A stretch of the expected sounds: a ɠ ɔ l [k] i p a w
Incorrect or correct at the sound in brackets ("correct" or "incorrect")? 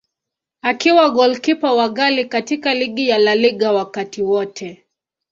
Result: correct